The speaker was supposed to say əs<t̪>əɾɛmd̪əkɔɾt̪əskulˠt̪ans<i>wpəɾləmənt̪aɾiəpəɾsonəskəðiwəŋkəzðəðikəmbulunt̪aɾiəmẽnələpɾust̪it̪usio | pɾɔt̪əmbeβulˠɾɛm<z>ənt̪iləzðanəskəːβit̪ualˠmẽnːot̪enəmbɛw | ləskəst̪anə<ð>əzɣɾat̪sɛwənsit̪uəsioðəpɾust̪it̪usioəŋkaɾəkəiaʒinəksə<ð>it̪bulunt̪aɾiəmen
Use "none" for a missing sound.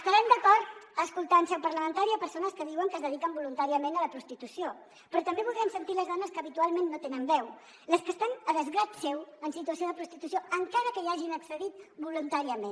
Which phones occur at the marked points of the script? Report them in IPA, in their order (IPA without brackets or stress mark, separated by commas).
t̪, ɛ, s, ð, ð